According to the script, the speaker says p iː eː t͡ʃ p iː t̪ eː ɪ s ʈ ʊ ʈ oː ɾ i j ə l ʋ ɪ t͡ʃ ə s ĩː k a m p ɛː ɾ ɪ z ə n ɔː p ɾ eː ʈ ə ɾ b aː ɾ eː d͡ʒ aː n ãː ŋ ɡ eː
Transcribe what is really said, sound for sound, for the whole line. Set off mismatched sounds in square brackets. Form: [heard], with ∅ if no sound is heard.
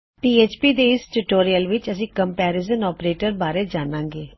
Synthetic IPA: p iː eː t͡ʃ p iː [d̪] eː ɪ s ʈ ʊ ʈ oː ɾ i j ə l ʋ ɪ t͡ʃ ə s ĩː k [ə] m p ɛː ɾ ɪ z ə n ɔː p ɾ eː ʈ ə ɾ b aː ɾ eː d͡ʒ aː n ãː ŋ ɡ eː